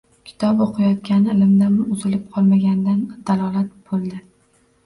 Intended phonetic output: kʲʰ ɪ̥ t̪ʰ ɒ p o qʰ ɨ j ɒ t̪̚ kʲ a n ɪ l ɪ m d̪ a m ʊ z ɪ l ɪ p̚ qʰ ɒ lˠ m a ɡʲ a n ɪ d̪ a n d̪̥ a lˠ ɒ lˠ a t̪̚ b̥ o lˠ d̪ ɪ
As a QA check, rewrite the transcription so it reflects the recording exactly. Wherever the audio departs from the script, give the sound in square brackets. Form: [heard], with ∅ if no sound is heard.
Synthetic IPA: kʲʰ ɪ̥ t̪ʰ ɒ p o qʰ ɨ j ɒ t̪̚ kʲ a n ɪ l ɪ m d̪ a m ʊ z ɪ l ɪ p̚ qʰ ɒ lˠ m a ɡʲ a n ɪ d̪ a n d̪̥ a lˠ ɒ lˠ a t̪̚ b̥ o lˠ d̪ ɪ